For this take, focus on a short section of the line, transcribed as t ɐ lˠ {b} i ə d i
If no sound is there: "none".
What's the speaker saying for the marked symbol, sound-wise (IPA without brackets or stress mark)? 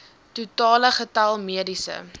m